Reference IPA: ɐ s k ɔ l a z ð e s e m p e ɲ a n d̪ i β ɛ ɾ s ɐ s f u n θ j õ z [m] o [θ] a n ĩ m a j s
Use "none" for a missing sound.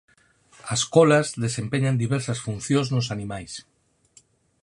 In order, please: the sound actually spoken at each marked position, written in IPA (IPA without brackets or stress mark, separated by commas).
n, s